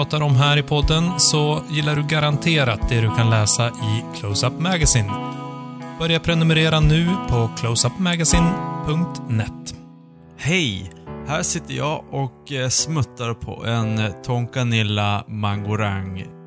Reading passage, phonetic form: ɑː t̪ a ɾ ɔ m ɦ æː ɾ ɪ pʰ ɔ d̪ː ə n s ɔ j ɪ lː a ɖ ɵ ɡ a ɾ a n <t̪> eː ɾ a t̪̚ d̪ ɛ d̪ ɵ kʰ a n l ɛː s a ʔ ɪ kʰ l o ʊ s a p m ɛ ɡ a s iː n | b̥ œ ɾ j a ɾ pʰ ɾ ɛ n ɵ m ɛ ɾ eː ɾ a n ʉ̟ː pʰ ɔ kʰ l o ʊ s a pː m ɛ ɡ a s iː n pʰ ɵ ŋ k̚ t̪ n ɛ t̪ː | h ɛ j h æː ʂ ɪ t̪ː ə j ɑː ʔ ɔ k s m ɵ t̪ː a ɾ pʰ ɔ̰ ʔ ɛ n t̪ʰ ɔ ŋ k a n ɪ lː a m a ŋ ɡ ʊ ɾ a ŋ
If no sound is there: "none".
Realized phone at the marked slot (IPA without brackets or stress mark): t̪ʰ